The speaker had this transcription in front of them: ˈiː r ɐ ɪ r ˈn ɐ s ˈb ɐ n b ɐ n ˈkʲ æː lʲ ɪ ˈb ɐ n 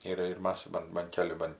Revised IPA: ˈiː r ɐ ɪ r ˈm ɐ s ˈb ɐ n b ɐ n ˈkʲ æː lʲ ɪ ˈb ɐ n